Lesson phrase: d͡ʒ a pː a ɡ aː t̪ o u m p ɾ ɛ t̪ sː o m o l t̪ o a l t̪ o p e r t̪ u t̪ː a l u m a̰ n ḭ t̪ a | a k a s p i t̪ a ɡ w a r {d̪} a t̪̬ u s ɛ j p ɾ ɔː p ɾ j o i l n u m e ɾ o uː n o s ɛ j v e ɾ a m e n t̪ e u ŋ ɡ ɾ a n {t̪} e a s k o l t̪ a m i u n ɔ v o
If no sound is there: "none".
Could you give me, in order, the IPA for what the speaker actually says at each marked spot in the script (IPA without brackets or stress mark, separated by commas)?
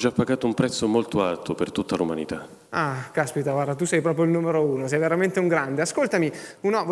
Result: d̪, d̪